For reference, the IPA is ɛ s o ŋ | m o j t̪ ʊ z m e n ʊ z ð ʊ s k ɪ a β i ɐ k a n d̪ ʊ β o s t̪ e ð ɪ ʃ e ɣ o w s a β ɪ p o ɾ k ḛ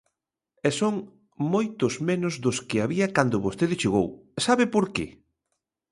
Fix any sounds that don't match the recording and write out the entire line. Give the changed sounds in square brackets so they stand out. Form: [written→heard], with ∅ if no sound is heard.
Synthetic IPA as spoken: ɛ s o ŋ | m o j t̪ ʊ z m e n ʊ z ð ʊ s k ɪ a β i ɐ k a n d̪ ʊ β o s t̪ e ð ɪ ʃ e ɣ o w s a β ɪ p o ɾ k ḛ